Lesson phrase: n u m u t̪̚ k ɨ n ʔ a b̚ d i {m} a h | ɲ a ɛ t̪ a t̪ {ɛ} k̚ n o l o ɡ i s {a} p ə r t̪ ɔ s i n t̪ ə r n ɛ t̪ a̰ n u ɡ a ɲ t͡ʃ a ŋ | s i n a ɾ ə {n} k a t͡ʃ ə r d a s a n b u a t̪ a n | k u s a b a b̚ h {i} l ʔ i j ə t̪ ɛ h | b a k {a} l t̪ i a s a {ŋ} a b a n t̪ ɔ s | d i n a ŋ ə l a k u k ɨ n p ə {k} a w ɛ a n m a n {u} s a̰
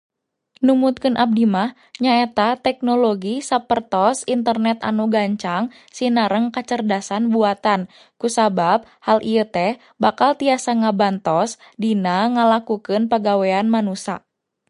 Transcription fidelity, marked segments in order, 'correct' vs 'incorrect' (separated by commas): correct, correct, correct, incorrect, incorrect, correct, correct, incorrect, correct